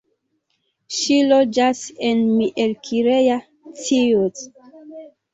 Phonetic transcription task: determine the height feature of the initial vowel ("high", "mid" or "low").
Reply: high